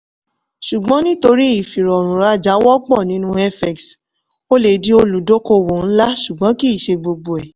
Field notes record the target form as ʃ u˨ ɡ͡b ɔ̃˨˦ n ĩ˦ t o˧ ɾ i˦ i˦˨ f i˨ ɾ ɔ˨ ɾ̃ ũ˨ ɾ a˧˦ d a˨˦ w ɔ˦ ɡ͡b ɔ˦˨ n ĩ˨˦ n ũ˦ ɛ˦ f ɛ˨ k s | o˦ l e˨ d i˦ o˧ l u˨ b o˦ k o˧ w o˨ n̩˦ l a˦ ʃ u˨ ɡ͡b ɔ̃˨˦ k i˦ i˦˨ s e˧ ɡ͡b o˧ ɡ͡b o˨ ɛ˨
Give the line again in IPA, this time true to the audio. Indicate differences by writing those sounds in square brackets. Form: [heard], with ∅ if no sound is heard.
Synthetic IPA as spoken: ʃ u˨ ɡ͡b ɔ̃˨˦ n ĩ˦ t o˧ ɾ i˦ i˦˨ f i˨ ɾ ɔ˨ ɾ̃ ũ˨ ɾ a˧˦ [d͡ʒ] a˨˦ w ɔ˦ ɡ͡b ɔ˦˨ n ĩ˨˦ n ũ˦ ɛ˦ f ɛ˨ k s | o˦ l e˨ d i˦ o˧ l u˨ [d] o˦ k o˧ w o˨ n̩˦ l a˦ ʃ u˨ ɡ͡b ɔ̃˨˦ k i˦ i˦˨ [ʃ] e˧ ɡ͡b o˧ ɡ͡b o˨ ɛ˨